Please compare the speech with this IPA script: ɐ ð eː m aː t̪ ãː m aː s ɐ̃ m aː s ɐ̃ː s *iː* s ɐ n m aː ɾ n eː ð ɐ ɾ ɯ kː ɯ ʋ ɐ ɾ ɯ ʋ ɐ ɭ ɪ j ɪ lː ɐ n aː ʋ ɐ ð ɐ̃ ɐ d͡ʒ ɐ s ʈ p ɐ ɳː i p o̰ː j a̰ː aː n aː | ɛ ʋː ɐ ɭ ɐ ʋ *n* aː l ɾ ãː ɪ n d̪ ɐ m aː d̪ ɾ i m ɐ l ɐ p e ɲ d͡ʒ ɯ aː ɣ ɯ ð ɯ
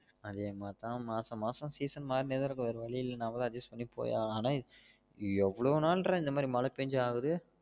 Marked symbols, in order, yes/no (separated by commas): yes, yes